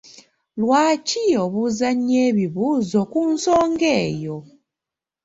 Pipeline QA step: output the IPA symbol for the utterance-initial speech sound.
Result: l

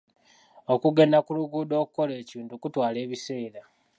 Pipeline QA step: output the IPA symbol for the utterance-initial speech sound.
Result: o̞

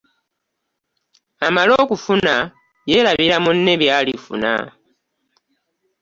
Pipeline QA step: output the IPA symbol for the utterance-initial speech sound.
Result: a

